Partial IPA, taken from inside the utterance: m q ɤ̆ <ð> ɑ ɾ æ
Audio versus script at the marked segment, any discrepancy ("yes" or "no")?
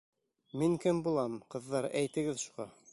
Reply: yes